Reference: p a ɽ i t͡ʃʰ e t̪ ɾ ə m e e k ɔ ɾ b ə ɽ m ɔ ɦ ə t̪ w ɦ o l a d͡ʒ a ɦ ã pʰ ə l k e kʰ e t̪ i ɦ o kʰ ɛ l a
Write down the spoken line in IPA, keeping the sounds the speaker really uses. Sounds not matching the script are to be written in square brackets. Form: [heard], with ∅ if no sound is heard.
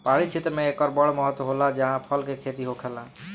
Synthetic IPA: p a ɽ i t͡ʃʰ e t̪ ɾ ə m e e k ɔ ɾ b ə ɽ m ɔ ɦ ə t̪ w ɦ o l a d͡ʒ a ɦ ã pʰ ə l k e kʰ e t̪ i ɦ o kʰ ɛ l a

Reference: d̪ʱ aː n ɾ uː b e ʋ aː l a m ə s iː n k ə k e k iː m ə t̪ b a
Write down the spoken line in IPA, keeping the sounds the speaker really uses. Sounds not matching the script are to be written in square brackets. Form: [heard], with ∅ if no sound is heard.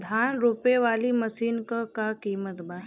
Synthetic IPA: d̪ʱ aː n ɾ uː [p] e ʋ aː l [i] m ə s iː n k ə k [a] k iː m ə t̪ b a

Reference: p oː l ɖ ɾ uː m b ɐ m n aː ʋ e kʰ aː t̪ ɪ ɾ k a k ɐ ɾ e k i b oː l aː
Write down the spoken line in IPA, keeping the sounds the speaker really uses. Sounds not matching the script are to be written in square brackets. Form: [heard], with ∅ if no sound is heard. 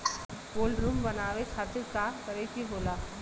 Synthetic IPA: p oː l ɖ ɾ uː m b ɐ [∅] n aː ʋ e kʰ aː t̪ ɪ ɾ k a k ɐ ɾ e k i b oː l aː

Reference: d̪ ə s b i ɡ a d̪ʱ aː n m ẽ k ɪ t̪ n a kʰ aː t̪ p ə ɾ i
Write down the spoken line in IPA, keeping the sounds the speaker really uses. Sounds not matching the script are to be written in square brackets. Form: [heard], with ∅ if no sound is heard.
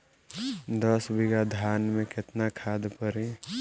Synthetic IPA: d̪ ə s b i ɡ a d̪ʱ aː n m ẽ k ɪ t̪ n a kʰ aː [d̪] p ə ɾ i

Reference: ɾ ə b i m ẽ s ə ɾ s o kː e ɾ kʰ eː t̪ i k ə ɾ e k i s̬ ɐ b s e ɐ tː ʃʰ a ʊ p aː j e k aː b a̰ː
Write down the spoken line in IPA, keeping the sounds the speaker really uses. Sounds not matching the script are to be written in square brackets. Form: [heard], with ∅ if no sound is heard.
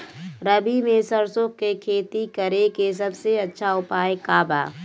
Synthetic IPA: ɾ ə b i m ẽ s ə ɾ s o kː e [∅] kʰ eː t̪ i k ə ɾ e k [e] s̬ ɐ b s e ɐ tː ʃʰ a ʊ p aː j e k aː b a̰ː

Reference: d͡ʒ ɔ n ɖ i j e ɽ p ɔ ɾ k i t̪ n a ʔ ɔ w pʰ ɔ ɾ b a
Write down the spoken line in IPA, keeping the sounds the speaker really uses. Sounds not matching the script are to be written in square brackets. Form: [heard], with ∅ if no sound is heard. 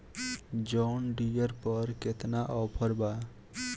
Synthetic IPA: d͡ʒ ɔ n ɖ i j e [ɾ] p ɔ ɾ k [e] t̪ n a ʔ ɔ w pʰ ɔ ɾ b a

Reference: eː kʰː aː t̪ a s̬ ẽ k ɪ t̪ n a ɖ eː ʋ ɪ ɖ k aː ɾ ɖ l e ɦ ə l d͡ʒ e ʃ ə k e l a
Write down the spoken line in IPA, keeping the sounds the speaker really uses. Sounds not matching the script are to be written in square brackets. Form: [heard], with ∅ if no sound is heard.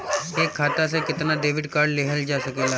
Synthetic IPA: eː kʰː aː t̪ a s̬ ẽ k ɪ t̪ n a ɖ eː ʋ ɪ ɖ k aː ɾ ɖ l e ɦ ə l d͡ʒ [a] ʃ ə k e l a

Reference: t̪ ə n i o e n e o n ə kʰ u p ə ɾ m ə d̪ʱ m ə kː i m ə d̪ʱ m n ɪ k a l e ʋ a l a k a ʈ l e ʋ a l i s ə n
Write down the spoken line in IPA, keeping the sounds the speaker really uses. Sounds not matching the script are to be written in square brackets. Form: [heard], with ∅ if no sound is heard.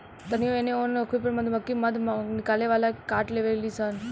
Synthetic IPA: t̪ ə n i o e n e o n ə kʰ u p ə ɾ m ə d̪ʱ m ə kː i m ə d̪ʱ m n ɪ k a l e ʋ a l a k a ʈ l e ʋ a l i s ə n

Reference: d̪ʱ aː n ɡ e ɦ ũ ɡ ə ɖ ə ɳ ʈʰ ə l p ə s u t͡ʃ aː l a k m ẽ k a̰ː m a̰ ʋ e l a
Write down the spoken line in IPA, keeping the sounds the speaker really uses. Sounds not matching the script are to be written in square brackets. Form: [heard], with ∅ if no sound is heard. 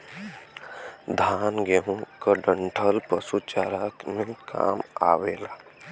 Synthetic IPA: d̪ʱ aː n ɡ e ɦ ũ [k] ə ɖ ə ɳ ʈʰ ə l p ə s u t͡ʃ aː [ɾ] a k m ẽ k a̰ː m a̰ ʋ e l a

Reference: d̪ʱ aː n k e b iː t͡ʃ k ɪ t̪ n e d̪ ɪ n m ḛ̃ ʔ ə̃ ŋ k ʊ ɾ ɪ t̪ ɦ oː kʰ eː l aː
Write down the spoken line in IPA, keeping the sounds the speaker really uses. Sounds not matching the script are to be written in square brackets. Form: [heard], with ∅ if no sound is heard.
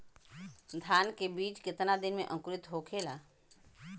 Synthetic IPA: d̪ʱ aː n k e b iː t͡ʃ k ɪ t̪ n [a] d̪ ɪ n m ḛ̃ ʔ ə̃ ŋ k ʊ ɾ ɪ t̪ ɦ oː kʰ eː l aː

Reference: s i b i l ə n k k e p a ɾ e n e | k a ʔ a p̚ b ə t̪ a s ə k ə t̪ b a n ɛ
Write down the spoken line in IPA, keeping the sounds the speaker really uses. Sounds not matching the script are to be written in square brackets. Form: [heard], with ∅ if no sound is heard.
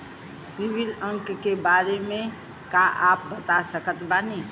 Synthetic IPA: s i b i l ə [ŋ] k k e [b] a ɾ e [m] e | k a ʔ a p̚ b ə t̪ a s ə k ə t̪ b a n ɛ

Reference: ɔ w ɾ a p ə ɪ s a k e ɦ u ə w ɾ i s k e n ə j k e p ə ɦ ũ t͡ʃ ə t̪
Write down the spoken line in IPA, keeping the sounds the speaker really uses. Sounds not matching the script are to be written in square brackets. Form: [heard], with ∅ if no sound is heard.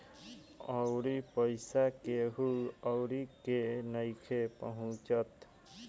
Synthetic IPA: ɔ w ɾ [i] p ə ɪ s a k e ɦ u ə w ɾ i [∅] k e n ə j [kʰ] e p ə ɦ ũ t͡ʃ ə t̪

